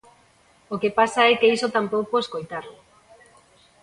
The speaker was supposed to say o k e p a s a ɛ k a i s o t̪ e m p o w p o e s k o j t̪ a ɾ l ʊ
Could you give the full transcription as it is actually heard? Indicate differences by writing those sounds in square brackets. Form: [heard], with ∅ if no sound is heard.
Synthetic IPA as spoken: o k e p a s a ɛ k [e] i s o t̪ [a] m p o w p o e s k o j t̪ a ɾ l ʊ